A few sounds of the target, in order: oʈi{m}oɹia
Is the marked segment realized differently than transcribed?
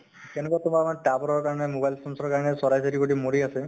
no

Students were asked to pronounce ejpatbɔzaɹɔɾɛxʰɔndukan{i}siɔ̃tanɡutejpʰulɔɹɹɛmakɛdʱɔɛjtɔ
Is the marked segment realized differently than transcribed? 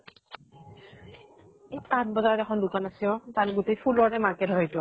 yes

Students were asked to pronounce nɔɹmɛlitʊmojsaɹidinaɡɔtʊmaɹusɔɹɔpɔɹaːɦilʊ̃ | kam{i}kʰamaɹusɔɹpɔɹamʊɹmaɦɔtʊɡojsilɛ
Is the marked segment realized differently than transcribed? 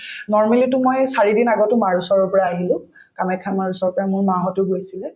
yes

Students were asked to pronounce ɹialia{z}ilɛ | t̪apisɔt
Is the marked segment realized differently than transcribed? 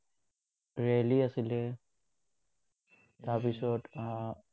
yes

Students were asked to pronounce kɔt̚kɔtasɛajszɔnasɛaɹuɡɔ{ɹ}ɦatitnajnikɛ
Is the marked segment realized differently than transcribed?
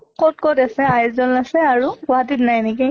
yes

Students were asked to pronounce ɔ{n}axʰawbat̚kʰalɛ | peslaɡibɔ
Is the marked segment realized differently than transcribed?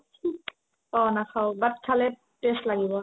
no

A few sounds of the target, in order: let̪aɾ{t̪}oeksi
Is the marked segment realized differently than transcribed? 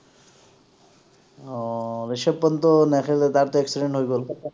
no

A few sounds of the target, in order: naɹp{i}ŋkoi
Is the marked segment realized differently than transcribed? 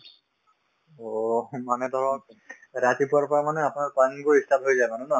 yes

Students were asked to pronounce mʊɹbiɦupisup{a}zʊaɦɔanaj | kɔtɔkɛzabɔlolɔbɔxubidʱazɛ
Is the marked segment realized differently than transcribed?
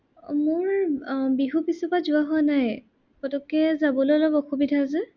no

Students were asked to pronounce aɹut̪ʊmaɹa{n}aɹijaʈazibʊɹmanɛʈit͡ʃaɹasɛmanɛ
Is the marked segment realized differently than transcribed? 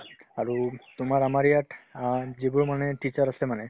yes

